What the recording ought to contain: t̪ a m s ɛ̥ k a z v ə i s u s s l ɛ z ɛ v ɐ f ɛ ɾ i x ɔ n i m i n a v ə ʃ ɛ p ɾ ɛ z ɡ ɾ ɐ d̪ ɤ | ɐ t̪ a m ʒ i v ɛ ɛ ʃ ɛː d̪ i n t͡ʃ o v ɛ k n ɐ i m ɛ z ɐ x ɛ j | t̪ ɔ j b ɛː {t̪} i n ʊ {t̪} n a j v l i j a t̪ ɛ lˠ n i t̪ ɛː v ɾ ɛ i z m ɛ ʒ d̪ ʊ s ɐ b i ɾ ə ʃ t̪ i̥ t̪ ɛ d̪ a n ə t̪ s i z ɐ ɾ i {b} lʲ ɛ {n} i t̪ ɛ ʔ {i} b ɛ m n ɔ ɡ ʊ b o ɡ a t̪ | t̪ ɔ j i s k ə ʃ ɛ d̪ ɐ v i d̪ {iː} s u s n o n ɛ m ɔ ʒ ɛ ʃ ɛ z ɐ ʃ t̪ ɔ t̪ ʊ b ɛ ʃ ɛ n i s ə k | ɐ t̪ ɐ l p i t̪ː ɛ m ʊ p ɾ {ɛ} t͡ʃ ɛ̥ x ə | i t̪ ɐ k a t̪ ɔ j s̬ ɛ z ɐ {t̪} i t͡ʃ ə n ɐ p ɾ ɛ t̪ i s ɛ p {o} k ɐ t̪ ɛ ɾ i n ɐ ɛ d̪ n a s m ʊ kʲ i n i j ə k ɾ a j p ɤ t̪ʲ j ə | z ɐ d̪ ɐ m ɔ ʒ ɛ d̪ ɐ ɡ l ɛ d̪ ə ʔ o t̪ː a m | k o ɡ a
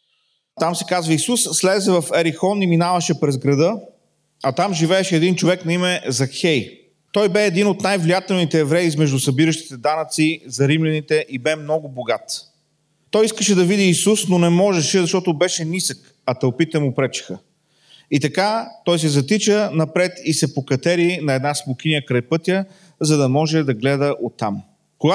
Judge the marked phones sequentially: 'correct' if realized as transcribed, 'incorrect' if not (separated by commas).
incorrect, correct, incorrect, correct, correct, correct, correct, correct, correct